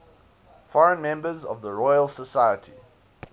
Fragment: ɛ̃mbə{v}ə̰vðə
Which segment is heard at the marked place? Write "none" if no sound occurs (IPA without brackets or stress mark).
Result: z